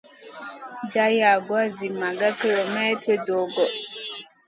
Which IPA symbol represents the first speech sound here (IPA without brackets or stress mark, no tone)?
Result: d͡ʒ